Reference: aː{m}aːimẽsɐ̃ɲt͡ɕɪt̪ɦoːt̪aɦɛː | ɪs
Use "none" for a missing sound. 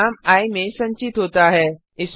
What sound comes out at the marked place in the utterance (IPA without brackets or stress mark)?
m